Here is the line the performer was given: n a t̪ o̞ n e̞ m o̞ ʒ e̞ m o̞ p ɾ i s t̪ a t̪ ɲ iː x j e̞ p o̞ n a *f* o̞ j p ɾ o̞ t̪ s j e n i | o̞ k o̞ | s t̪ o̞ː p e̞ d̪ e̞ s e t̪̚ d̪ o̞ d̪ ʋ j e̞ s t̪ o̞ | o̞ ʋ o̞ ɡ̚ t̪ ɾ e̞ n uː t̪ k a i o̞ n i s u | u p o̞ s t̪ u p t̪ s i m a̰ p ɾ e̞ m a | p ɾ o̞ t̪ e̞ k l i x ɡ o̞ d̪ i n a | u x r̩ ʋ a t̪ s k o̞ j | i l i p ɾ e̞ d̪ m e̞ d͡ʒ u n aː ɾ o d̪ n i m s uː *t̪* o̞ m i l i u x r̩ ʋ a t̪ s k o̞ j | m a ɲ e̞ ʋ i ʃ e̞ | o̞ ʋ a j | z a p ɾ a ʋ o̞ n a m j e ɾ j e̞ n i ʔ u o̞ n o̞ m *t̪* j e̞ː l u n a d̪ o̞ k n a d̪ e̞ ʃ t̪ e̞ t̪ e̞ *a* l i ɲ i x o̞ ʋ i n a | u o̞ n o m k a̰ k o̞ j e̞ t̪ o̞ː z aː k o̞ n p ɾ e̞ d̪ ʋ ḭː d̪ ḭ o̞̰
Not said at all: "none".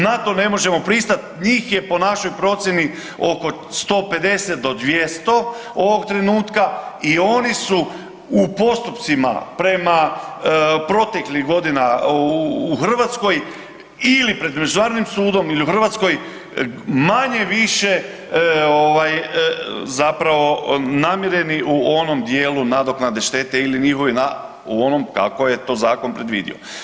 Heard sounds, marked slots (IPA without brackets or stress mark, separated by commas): ʃ, d̪, d̪, i